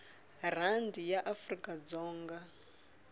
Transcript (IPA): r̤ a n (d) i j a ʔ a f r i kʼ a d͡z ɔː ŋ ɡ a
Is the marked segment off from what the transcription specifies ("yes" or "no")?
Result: no